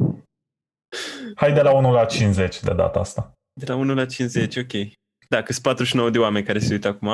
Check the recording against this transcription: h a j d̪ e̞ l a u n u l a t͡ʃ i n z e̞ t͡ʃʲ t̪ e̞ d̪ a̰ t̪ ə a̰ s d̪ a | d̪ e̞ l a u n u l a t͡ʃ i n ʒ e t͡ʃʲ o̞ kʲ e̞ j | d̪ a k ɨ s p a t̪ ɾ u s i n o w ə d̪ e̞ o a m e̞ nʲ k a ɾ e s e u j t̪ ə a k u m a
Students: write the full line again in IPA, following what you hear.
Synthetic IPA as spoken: h a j d̪ e̞ l a u n u l a t͡ʃ i n z e̞ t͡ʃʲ d̪ e̞ d̪ a̰ t̪ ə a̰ s t̪ a | d̪ e̞ l a u n u l a t͡ʃ i n z e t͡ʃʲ o̞ kʲ e̞ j | d̪ a k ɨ s p a t̪ ɾ u ʃ i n o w ə d̪ e̞ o a m e̞ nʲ k a ɾ e s e u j t̪ ə a k u m a